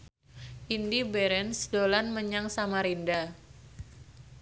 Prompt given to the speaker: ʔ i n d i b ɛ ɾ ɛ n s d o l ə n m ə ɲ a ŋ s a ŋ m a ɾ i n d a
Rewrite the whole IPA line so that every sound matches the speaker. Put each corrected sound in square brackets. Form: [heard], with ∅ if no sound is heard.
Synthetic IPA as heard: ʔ i n d i b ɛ ɾ ɛ n s d o l [a] n m ə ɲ a ŋ s a [∅] m a ɾ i n d a

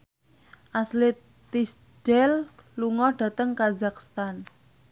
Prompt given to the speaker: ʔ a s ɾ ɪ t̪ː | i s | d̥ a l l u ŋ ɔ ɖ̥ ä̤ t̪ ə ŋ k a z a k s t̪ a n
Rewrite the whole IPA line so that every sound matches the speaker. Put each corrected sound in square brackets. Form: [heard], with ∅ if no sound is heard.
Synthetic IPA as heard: ʔ a s [l] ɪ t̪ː | i s | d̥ [ɛ] l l u ŋ ɔ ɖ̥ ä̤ t̪ ə ŋ k a z a k s t̪ a n

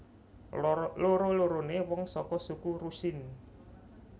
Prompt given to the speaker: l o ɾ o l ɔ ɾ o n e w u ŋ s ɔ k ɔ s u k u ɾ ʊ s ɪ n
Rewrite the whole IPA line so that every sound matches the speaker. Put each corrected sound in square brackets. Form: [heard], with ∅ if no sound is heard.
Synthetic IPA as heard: l o ɾ o l [o] ɾ o n e w [ɔ] ŋ s ɔ k ɔ s u k u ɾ [u] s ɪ n

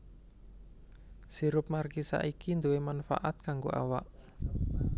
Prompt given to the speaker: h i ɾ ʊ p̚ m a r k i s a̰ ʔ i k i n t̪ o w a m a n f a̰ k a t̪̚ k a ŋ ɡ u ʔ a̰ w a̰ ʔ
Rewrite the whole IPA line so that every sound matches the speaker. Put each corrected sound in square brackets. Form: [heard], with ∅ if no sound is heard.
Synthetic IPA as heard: [s] i ɾ ʊ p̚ m a r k i s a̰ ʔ i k i n [d̪] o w [e] m a n f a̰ [ʔ] a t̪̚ k a ŋ ɡ [o] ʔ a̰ w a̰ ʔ

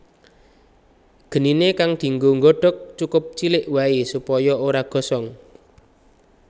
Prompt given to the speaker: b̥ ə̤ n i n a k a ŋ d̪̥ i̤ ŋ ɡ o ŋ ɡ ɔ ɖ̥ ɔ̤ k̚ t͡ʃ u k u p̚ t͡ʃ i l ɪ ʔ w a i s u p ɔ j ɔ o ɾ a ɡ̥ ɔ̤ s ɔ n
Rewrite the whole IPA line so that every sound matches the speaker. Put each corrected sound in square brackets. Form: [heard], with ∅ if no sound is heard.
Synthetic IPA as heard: [ɡ̥] ə̤ n i n [e] k a ŋ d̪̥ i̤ ŋ ɡ o ŋ ɡ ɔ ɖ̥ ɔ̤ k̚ t͡ʃ u k [ʊ] p̚ t͡ʃ i l ɪ ʔ w a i s u p ɔ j ɔ o ɾ a ɡ̥ ɔ̤ s ɔ [ŋ]

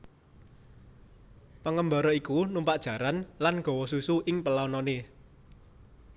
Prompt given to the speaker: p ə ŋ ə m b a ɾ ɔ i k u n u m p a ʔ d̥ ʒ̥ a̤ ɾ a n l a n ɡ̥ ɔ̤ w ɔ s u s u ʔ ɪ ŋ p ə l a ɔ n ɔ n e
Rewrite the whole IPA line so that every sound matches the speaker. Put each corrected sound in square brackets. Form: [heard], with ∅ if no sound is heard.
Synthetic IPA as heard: p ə ŋ ə m b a ɾ ɔ i k u n u m p a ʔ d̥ ʒ̥ a̤ ɾ a n l a n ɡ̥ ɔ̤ w ɔ s u s u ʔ ɪ ŋ p ə l a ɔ n ɔ n e

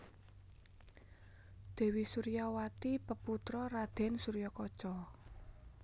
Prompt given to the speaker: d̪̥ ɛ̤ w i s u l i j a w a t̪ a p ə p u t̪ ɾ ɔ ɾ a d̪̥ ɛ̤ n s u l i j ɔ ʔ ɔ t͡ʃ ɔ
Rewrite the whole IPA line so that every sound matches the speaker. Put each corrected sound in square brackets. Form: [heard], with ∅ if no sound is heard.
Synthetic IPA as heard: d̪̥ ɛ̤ w i s u [ɾ] i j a w a t̪ [i] p ə p u t̪ ɾ ɔ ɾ a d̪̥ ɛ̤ n s u [ɾ] i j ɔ [k] ɔ t͡ʃ ɔ

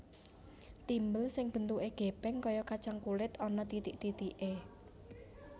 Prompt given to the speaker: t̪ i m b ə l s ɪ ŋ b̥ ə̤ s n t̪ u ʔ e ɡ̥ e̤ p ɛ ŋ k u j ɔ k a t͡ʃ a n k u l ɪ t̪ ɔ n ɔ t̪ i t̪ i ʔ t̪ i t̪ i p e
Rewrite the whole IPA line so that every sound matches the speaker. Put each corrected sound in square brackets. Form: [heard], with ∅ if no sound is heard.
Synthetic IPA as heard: t̪ i m b ə l s ɪ ŋ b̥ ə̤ [∅] n t̪ u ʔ e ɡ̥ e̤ p ɛ ŋ k [ɔ] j ɔ k a t͡ʃ a [ŋ] k u l ɪ t̪ ɔ n ɔ t̪ i t̪ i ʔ t̪ i t̪ i [ʔ] e

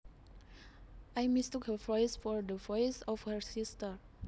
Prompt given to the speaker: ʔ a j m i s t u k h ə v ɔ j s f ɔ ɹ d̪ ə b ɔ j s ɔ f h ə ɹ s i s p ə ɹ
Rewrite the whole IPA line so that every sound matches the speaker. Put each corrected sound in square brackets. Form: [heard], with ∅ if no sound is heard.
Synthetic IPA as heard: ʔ a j m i s t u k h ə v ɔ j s f ɔ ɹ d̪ ə [v] ɔ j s ɔ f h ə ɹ s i s [t] ə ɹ

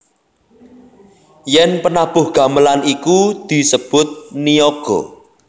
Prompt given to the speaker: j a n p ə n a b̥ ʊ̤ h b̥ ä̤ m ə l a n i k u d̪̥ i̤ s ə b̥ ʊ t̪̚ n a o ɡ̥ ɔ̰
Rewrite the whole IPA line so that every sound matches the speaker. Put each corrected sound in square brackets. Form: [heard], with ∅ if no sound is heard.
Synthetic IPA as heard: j [ɛ] n p ə n a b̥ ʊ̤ h [ɡ̥] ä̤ m ə l a n i k u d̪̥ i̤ s ə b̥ ʊ t̪̚ n [i] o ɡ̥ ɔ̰

